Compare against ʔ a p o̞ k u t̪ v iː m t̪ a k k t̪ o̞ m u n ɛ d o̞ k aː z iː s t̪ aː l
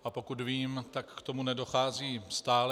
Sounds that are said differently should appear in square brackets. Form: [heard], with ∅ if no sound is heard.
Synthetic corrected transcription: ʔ a p o̞ k u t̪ v iː m t̪ a k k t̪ o̞ m u n ɛ d o̞ [x] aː z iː s t̪ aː l